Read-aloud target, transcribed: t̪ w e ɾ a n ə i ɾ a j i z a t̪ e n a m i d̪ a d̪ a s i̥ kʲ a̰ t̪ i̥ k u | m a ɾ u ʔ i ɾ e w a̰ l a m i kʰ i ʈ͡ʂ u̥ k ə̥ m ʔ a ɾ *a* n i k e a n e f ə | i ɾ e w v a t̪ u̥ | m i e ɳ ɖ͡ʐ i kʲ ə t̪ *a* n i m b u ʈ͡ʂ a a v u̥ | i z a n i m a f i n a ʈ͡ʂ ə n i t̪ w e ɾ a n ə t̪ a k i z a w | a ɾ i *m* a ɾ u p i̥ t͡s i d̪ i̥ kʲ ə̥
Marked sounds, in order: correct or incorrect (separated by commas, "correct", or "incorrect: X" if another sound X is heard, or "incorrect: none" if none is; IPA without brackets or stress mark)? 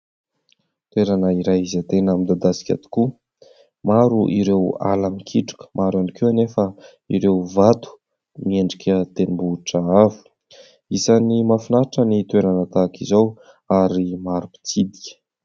correct, incorrect: e, correct